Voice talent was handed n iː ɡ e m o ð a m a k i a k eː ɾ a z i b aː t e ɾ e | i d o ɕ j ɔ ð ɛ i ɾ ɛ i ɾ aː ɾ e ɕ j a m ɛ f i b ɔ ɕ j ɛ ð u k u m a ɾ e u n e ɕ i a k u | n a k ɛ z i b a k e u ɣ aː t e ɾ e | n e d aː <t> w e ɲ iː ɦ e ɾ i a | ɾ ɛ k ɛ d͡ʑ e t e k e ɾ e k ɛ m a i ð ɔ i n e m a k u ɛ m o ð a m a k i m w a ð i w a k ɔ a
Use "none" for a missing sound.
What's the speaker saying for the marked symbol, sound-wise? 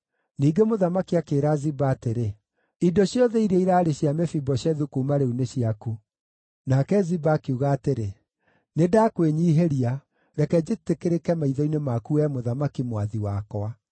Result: k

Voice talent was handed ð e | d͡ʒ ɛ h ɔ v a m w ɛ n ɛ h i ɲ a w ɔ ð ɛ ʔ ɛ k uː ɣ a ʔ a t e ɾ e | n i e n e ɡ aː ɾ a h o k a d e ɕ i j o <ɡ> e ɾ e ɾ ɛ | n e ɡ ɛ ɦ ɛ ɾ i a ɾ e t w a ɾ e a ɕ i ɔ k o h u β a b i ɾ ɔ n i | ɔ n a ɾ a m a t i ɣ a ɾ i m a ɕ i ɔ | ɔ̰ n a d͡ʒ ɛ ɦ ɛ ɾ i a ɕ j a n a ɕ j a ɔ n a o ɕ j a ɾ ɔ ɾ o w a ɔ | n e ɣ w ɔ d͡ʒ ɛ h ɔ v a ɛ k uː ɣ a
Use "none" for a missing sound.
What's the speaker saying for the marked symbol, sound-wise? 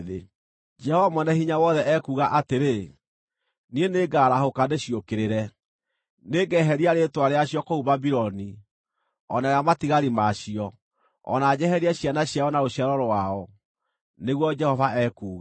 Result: k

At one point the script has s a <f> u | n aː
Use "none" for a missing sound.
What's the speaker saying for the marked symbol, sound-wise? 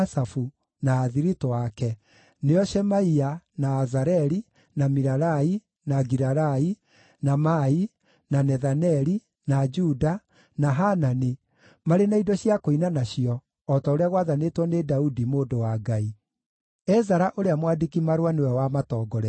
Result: f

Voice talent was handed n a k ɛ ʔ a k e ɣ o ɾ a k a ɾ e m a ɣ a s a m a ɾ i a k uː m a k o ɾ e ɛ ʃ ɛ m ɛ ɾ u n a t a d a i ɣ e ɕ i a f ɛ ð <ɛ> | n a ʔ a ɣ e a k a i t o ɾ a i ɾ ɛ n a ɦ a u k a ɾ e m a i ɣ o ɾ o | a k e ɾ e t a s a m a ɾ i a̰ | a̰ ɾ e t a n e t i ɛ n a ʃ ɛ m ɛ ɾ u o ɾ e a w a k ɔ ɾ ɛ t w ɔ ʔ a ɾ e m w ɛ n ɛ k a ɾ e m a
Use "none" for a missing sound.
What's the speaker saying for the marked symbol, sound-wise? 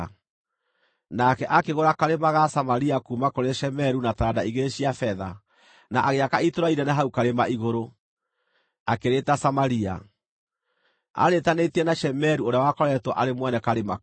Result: a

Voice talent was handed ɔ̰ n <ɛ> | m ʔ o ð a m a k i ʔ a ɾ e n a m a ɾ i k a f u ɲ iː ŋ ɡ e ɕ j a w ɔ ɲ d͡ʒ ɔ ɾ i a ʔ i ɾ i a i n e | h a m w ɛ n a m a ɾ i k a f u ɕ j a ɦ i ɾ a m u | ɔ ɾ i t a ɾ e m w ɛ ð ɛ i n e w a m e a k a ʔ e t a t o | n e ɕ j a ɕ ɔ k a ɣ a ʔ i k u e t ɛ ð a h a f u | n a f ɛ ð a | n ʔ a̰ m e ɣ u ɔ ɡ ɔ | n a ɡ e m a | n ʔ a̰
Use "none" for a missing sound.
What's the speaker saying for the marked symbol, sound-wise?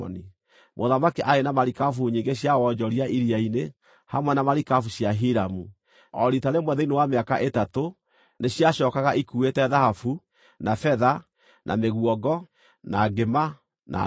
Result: i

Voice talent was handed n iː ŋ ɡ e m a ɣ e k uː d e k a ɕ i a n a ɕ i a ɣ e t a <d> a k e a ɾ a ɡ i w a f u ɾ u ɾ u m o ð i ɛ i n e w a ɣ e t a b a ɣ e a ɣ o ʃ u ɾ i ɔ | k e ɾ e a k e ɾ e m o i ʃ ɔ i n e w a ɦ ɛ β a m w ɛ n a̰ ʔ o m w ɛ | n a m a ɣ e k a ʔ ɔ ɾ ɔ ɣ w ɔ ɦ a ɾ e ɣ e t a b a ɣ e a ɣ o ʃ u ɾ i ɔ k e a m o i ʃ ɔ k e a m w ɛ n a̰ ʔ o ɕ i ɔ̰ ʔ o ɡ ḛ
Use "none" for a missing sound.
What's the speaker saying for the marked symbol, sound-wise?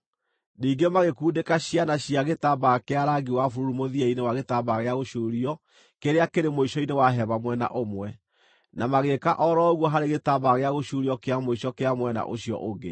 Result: b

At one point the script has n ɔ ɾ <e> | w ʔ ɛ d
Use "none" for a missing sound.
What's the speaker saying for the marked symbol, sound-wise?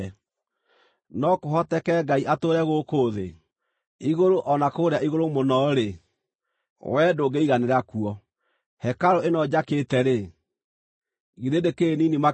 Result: e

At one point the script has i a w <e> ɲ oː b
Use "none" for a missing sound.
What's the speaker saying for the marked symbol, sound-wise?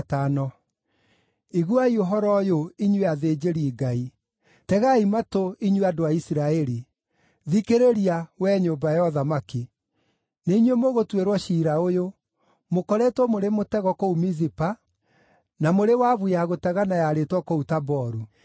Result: ɛ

